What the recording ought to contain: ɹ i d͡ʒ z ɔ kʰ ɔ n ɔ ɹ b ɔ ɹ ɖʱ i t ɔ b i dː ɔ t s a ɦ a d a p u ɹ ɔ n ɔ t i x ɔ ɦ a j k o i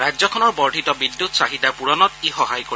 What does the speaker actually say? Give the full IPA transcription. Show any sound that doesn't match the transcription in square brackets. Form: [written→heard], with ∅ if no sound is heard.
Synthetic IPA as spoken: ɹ [i→a] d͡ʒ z ɔ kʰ ɔ n ɔ ɹ b ɔ ɹ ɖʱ i t ɔ b i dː [ɔ→u] t s a ɦ [a→i] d a p u ɹ ɔ n ɔ t i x ɔ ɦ a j k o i